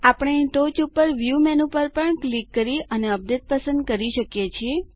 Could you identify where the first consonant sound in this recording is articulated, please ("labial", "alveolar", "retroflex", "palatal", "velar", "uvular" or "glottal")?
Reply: labial